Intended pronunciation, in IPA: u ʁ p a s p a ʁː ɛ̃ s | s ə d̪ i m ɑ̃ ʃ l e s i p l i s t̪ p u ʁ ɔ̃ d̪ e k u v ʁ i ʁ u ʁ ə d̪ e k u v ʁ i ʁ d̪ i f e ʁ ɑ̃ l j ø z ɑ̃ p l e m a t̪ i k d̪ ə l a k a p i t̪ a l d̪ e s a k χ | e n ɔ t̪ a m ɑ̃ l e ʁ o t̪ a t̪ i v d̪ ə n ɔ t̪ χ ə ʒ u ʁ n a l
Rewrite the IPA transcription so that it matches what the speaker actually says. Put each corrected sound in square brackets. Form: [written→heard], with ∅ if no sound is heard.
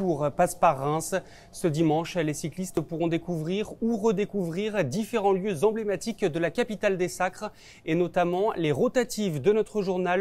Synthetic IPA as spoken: u ʁ p a s p a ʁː ɛ̃ s | s ə d̪ i m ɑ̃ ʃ l e s i [p→k] l i s t̪ p u ʁ ɔ̃ d̪ e k u v ʁ i ʁ u ʁ ə d̪ e k u v ʁ i ʁ d̪ i f e ʁ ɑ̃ l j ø z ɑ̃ [p→b] l e m a t̪ i k d̪ ə l a k a p i t̪ a l d̪ e s a k χ | e n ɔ t̪ a m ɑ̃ l e ʁ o t̪ a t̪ i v d̪ ə n ɔ t̪ χ ə ʒ u ʁ n a l